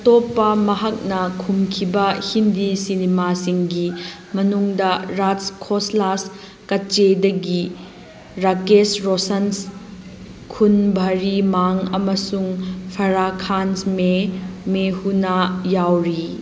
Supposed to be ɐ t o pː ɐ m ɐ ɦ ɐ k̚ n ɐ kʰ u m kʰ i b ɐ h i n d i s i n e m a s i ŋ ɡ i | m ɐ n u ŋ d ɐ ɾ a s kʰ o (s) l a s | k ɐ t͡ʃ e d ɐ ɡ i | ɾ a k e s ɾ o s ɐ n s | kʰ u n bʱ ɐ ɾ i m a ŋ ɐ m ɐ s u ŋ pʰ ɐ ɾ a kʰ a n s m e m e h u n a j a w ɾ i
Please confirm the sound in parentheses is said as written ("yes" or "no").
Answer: yes